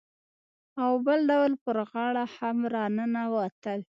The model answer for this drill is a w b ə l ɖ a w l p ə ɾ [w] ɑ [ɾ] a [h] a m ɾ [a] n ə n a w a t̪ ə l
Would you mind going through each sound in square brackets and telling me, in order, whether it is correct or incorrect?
incorrect, incorrect, correct, incorrect

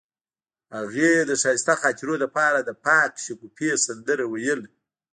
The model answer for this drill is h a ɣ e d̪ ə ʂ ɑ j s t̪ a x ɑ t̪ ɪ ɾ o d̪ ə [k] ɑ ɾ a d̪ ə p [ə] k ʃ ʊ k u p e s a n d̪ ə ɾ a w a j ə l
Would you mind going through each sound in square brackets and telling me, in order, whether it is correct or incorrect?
incorrect, incorrect

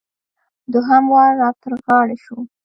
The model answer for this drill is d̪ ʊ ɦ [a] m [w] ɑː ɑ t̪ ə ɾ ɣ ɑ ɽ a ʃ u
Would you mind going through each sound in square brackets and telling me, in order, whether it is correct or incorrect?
correct, correct

